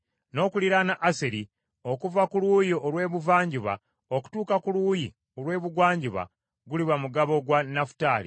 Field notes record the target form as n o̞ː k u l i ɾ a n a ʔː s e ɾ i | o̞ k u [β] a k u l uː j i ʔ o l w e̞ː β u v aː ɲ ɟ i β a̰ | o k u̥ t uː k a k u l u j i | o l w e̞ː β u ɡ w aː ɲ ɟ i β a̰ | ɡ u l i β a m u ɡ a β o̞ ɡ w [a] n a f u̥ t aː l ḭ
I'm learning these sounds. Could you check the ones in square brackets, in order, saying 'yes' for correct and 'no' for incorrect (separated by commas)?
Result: no, yes